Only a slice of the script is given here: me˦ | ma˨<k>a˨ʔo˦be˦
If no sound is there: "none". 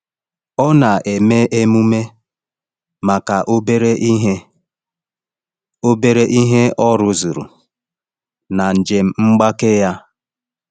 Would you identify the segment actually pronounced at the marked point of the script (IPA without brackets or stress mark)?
k